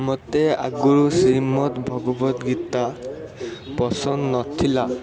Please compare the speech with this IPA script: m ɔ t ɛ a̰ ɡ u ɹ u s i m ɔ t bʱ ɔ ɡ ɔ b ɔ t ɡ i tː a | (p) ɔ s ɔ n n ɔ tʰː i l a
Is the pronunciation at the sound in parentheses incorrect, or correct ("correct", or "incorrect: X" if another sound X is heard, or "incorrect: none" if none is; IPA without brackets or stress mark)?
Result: correct